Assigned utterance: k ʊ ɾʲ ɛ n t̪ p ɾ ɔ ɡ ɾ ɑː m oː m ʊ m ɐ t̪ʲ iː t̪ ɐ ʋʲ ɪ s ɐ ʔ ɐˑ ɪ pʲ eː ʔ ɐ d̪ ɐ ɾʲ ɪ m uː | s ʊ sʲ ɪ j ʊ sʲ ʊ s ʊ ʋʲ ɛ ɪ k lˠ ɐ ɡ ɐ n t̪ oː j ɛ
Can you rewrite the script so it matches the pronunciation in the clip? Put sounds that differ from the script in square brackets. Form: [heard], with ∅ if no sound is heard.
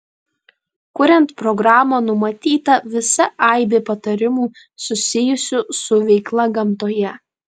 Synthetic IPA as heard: k ʊ ɾʲ ɛ n t̪ p ɾ ɔ ɡ ɾ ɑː m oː [n] ʊ m ɐ t̪ʲ iː t̪ ɐ ʋʲ ɪ s ɐ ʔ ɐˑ ɪ [bʲ] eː [p] ɐ [t̪] ɐ ɾʲ ɪ m uː | s ʊ sʲ ɪ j ʊ sʲ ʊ s ʊ ʋʲ ɛ ɪ k lˠ ɐ ɡ ɐ [m] t̪ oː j ɛ